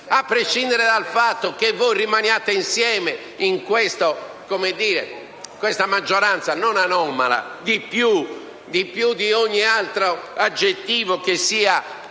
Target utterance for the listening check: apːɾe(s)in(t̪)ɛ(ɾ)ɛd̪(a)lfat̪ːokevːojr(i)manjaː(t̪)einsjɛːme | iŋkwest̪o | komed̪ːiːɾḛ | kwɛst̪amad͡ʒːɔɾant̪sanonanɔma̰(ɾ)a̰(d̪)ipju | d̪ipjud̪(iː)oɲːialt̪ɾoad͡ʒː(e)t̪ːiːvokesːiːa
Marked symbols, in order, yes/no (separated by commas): no, no, yes, yes, yes, yes, no, yes, no, yes